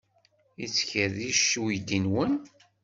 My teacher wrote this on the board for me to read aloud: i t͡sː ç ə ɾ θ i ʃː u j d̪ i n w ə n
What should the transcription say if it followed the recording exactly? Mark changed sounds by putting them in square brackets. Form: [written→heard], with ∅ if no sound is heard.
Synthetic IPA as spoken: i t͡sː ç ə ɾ [θ→ð] i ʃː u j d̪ i n w ə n

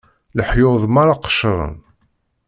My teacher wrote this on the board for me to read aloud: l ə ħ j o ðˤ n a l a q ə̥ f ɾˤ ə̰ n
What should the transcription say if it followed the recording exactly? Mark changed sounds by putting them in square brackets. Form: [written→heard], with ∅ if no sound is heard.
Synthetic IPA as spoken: l ə ħ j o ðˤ [n→m] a [l→ɾ] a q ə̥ [f→ʃ] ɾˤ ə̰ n

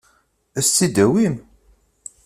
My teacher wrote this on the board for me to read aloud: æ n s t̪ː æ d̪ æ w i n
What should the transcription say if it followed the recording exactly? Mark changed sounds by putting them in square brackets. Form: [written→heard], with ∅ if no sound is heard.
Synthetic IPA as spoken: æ [n→∅] s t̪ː [æ→i] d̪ æ w i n

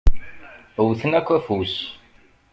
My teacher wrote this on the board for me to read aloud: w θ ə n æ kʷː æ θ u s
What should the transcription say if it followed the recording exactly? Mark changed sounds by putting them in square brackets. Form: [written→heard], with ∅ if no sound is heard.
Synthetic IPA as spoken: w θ ə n æ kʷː æ [θ→f] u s

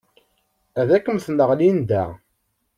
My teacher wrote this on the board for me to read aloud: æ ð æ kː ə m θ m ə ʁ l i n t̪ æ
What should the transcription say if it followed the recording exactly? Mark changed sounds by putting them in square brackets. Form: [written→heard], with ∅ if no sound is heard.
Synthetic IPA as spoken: æ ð æ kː ə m θ [m→n] ə ʁ l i n [t̪→d̪] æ

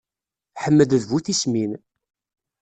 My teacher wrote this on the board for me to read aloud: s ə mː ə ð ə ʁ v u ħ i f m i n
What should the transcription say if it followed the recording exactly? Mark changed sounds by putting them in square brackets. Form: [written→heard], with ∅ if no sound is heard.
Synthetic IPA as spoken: [s→ħ] ə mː ə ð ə [ʁ→ð] v u [ħ→θ] i [f→s] m i n

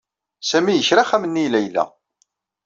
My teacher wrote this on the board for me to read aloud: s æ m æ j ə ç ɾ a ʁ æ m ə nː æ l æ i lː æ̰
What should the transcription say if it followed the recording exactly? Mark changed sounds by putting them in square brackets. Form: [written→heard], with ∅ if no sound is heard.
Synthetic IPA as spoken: s æ m [æ→i] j ə ç ɾ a [ʁ→χ] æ m ə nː [æ→i] l æ [i→j] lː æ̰

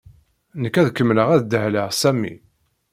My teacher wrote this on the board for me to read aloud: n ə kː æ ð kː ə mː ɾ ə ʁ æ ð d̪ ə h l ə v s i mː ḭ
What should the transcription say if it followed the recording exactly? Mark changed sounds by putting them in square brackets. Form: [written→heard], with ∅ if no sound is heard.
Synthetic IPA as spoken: n ə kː æ ð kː ə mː [ɾ→l] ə ʁ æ ð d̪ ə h l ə [v→ʁ] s [i→æ] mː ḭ

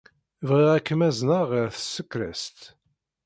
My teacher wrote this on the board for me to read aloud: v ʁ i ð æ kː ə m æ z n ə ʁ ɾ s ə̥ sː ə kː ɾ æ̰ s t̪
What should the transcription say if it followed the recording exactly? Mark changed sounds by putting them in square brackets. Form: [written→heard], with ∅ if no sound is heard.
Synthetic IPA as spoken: v ʁ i [ð→ʁ] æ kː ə m æ z n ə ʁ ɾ [s→θ] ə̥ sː ə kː ɾ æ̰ s t̪

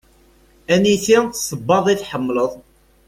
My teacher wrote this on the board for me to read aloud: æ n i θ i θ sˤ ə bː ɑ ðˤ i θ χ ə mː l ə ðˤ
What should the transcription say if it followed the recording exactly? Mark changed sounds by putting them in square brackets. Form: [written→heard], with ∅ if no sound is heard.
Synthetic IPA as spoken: æ n i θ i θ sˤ ə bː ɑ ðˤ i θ [χ→ħ] ə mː l ə ðˤ

